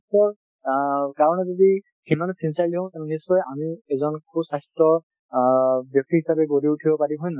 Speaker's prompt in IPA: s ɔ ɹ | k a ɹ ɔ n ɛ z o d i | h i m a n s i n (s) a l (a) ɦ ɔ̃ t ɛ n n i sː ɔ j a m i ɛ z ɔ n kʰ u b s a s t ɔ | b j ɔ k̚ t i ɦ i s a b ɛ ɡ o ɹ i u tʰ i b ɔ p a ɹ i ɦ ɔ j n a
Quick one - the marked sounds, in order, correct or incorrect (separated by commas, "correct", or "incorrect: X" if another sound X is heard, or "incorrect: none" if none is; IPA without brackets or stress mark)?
correct, incorrect: i